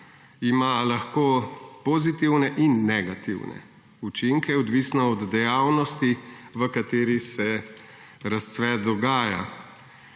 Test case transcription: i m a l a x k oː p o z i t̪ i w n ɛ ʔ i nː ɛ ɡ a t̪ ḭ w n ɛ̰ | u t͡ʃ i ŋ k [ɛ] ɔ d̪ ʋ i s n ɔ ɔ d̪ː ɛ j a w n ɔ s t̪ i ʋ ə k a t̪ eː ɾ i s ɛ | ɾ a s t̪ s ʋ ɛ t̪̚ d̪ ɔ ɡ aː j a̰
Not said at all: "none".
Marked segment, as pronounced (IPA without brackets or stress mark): ɛ